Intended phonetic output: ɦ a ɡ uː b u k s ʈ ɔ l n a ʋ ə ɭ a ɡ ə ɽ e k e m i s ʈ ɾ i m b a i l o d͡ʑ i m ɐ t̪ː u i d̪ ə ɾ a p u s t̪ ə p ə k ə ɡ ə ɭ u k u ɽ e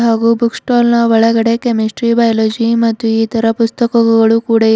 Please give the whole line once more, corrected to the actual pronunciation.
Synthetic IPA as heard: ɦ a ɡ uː b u k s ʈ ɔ l n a ʋ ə ɭ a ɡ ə ɽ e k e m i s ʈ ɾ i b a j l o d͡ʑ i m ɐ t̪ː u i t̪ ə ɾ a p u s t̪ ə k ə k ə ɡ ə ɭ u k u ɽ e